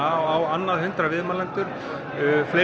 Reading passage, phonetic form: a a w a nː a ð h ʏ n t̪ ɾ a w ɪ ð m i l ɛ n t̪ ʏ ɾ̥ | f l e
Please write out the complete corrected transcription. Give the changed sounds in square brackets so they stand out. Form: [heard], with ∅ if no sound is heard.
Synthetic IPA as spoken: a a w a nː a ð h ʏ n t̪ ɾ a [v] ɪ ð m [a] l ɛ n t̪ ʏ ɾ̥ | f l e